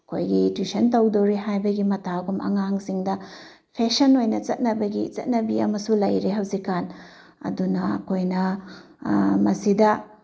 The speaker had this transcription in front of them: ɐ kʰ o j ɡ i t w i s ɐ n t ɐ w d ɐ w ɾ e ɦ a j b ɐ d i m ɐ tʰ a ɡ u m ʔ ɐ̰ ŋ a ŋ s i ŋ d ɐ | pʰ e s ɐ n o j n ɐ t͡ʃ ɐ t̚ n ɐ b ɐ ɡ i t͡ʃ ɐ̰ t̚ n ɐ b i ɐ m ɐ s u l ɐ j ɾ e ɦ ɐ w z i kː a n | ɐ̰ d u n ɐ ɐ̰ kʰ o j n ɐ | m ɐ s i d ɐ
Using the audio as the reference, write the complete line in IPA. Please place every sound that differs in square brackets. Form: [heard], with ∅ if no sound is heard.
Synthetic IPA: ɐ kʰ o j ɡ i t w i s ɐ n t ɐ w d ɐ w ɾ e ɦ a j b ɐ [ɡ] i m ɐ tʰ a ɡ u m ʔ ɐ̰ ŋ a ŋ s i ŋ d ɐ | pʰ e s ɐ n o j n ɐ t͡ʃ ɐ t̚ n ɐ b ɐ ɡ i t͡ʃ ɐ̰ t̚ n ɐ b i ɐ m ɐ s u l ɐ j ɾ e ɦ ɐ w z i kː a n | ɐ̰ d u n ɐ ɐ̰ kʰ o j n ɐ | m ɐ s i d ɐ